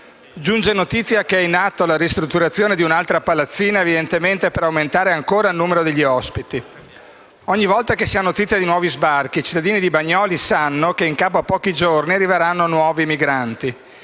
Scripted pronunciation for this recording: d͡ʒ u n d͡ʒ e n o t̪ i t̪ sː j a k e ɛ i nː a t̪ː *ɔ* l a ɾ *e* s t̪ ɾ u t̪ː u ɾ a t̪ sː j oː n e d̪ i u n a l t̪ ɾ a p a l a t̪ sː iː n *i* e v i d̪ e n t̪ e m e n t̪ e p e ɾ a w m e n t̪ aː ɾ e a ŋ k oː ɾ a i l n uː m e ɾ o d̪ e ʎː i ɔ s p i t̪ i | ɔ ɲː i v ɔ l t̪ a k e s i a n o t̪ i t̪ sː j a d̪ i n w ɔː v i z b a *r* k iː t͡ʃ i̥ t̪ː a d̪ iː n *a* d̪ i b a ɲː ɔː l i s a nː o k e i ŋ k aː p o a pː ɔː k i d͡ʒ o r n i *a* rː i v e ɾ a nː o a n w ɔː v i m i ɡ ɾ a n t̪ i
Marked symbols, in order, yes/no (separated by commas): no, no, no, yes, no, yes